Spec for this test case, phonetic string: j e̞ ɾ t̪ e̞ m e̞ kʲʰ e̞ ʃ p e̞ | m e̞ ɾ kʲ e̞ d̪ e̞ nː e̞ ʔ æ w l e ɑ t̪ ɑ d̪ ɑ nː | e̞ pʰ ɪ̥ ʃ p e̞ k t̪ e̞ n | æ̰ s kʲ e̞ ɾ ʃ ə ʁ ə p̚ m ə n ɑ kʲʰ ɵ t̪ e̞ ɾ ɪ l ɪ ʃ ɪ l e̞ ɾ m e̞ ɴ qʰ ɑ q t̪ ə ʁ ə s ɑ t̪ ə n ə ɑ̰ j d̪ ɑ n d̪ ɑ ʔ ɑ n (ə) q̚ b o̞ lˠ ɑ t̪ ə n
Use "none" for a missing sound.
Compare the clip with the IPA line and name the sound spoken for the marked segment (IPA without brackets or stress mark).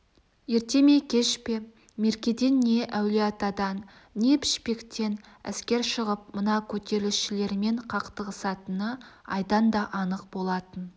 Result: ə